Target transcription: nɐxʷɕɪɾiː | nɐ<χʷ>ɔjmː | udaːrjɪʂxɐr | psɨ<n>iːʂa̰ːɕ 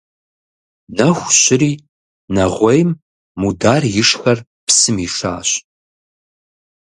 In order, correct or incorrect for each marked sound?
incorrect: ʁʷ, incorrect: m

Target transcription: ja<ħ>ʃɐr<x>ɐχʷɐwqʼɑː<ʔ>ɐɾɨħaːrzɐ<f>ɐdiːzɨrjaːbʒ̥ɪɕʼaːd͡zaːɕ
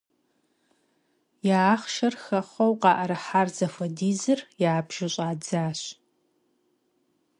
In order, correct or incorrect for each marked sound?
incorrect: χ, correct, correct, correct

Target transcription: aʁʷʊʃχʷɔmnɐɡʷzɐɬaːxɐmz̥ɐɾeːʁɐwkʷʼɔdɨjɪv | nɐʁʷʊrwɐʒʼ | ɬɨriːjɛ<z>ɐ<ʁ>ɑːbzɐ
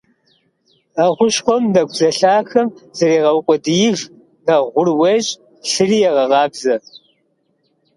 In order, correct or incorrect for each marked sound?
incorrect: ʁ, correct

